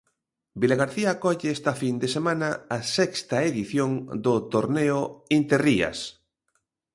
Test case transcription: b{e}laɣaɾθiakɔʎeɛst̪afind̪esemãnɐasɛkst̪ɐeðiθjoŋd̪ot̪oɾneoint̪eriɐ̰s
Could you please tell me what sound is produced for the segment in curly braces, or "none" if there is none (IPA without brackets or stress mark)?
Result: i